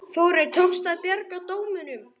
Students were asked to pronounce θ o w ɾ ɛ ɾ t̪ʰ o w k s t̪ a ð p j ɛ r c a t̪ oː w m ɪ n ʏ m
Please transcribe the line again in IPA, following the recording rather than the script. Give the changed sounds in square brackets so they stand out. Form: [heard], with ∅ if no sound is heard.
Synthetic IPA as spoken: θ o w ɾ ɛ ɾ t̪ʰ o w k s t̪ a ð p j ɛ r [k] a t̪ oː w m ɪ n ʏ m